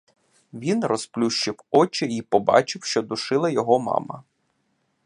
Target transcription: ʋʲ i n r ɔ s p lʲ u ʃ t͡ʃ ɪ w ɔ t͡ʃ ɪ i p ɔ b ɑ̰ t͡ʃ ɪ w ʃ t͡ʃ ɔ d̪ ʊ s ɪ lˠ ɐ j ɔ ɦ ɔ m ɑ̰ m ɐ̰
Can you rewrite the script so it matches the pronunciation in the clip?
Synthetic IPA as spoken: ʋʲ i n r ɔ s p lʲ u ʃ t͡ʃ ɪ w ɔ t͡ʃ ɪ i p ɔ b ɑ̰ t͡ʃ ɪ w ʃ t͡ʃ ɔ d̪ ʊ ʃ ɪ lˠ ɐ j ɔ ɦ ɔ m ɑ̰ m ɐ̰